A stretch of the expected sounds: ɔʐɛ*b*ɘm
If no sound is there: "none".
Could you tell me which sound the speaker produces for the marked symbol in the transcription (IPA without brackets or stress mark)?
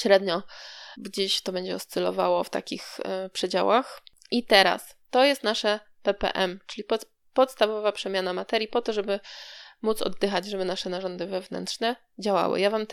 b